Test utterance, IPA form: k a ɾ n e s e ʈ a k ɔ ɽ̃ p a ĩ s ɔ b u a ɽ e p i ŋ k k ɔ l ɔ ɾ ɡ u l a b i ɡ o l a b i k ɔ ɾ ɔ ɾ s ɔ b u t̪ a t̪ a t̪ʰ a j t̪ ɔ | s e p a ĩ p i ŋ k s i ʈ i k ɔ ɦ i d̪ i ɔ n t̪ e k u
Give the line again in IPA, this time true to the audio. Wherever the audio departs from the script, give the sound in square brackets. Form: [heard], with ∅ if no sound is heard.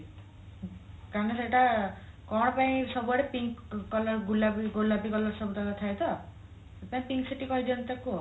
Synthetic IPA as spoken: k a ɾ n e s e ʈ a k ɔ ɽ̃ p a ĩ s ɔ b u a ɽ e p i ŋ k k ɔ l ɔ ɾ ɡ u l a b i ɡ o l a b i k ɔ [l] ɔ ɾ s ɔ b u t̪ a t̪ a t̪ʰ a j t̪ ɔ | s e p a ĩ p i ŋ k s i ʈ i k ɔ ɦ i d̪ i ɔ n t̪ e k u